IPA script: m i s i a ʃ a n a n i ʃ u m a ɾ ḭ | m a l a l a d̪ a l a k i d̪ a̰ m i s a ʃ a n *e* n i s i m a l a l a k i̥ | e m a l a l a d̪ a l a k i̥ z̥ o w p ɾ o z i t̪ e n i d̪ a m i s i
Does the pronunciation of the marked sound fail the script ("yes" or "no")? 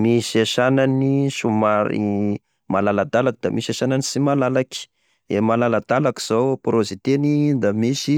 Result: yes